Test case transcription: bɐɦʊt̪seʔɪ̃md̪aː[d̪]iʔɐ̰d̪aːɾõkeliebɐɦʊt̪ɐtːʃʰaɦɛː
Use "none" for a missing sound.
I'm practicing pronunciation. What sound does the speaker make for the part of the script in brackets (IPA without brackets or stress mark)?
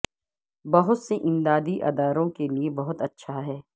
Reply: d̪